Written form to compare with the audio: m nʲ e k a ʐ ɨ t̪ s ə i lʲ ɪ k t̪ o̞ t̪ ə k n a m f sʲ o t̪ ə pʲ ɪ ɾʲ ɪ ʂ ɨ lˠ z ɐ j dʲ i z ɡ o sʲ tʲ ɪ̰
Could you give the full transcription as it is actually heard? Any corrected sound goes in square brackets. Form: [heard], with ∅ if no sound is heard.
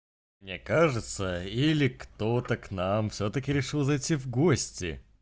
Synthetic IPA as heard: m nʲ e k a ʐ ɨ t̪ s ə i lʲ ɪ k t̪ o̞ t̪ ə k n a m f sʲ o t̪ ə [kʲ] ɪ ɾʲ ɪ ʂ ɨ lˠ z ɐ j [tʲ] i [v] ɡ o sʲ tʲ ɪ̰